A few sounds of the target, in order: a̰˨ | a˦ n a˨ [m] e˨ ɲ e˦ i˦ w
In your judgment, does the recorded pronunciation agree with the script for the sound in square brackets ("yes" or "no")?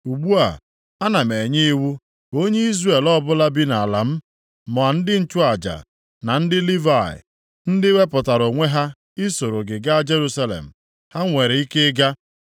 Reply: yes